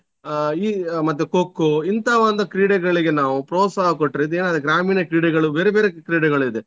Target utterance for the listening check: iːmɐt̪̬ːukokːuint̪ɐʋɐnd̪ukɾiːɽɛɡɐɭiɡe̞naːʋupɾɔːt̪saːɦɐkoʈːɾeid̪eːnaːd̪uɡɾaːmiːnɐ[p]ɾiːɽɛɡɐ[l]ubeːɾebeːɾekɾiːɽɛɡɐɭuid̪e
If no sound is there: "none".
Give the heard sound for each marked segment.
k, ɭ

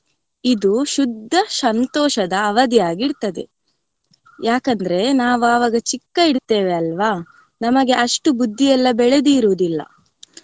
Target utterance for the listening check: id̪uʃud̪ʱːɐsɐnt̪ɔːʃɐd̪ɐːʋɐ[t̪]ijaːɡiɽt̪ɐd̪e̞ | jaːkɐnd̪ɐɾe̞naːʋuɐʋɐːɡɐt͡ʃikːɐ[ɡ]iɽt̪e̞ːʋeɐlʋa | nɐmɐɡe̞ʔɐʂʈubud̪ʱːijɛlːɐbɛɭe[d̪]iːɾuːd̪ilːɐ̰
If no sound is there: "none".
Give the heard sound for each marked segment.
d̪, none, d̪

